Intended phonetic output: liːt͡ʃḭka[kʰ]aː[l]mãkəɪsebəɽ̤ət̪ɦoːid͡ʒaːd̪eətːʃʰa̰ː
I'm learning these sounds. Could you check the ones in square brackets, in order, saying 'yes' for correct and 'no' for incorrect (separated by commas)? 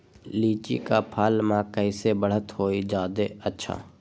no, yes